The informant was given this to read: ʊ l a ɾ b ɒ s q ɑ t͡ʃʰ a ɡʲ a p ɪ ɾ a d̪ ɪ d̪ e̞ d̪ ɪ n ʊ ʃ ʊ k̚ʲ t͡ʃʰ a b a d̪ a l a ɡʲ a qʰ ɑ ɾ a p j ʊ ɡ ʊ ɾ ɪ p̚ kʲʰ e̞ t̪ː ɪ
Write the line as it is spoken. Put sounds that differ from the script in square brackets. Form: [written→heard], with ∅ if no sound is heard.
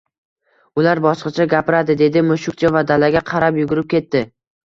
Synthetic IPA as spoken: ʊ l a ɾ b ɒ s q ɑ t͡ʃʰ a ɡʲ a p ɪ ɾ a d̪ ɪ d̪ e̞ d̪ ɪ [n→m] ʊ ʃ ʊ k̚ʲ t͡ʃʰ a [b→v] a d̪ a l a ɡʲ a qʰ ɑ ɾ a p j ʊ ɡ ʊ ɾ ɪ p̚ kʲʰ e̞ t̪ː ɪ